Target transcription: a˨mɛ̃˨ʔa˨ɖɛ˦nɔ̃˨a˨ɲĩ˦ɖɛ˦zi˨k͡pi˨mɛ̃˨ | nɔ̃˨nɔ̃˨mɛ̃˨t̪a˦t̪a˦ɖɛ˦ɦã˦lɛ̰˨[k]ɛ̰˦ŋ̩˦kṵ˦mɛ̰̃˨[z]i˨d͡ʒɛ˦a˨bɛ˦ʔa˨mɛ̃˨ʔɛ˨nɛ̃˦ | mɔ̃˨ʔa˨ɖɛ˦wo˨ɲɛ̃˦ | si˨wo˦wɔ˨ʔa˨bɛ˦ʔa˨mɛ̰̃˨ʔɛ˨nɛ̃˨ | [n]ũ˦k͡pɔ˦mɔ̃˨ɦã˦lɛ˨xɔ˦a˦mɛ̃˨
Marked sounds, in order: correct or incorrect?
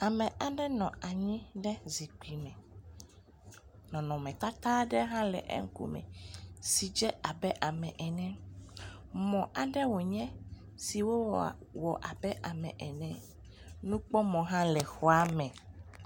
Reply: incorrect, incorrect, correct

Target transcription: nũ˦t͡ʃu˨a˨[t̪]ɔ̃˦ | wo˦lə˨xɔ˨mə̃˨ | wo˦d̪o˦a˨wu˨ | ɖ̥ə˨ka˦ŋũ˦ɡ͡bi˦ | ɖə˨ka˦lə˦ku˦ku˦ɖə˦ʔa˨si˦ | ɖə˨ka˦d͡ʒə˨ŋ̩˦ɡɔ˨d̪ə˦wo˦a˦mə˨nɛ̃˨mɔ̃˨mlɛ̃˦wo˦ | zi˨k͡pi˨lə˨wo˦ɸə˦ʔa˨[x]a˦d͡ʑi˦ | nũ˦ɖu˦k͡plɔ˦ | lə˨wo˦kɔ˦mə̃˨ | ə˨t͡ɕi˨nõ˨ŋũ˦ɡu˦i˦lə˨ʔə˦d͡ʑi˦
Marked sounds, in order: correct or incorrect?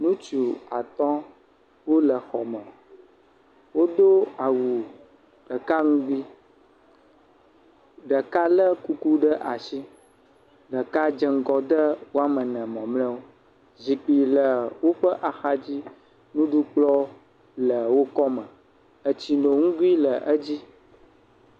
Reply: correct, correct

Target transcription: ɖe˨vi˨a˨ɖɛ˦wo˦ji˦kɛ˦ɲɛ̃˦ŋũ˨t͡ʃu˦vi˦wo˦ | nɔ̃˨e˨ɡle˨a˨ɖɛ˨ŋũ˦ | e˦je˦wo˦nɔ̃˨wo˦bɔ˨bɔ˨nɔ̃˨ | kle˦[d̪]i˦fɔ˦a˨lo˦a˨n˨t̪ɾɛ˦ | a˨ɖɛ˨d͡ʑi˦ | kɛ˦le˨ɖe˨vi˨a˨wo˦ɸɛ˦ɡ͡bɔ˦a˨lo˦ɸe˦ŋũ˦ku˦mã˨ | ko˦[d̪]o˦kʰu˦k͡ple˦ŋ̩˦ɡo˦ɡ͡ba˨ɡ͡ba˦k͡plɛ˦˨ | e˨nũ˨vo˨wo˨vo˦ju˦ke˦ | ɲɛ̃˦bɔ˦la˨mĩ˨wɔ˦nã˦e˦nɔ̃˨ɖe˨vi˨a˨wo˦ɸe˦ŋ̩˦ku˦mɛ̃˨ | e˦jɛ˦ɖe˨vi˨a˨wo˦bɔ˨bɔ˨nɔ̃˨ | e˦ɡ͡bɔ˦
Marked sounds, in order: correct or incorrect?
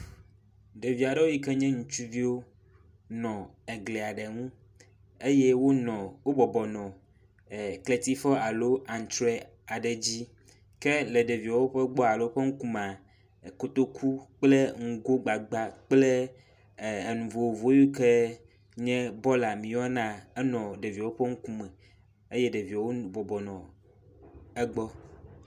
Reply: incorrect, incorrect

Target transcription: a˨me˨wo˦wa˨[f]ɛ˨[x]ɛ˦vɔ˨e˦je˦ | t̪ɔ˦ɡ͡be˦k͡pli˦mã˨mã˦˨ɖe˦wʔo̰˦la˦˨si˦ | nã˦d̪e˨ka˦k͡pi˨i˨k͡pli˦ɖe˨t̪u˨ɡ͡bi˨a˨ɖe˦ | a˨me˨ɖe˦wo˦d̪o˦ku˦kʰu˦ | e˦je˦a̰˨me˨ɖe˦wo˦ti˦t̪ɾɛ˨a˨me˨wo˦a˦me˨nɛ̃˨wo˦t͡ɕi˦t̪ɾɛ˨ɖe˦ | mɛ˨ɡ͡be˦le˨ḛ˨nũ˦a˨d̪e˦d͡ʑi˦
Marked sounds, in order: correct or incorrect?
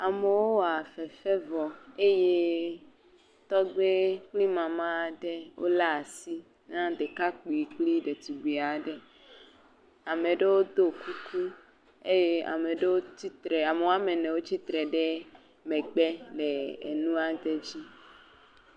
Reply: correct, incorrect

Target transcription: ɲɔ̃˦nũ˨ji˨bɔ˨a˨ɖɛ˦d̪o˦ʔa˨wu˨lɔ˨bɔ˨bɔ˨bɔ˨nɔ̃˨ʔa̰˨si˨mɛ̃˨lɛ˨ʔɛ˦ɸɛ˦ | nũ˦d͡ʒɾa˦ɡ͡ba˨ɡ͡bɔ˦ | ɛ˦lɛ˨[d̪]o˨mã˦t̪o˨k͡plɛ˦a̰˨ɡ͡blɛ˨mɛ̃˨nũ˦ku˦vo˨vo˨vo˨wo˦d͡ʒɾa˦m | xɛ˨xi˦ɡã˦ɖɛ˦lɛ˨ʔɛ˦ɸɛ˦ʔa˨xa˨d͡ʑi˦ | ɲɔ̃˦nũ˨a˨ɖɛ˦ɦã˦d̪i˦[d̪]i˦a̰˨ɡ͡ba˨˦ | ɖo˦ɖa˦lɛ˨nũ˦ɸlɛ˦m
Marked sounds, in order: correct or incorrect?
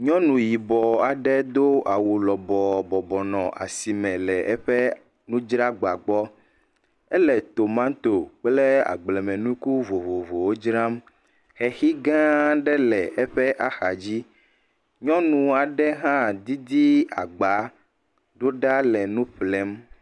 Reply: incorrect, correct

